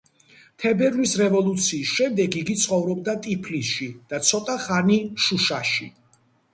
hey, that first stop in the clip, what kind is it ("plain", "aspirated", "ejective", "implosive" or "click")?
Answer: aspirated